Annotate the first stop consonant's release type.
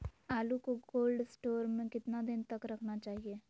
plain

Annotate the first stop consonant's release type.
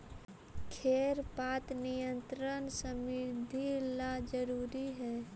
aspirated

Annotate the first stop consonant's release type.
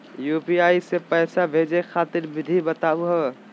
plain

